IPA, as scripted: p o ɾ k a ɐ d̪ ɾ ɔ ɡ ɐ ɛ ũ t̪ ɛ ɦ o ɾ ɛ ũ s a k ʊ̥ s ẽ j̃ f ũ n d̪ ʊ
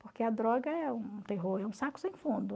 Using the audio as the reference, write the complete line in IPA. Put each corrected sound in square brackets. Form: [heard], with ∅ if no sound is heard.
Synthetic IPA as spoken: p o ɾ k [e] ɐ d̪ ɾ ɔ ɡ ɐ ɛ ũ t̪ [e] ɦ o ɾ ɛ ũ s a k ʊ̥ s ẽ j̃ f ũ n d̪ ʊ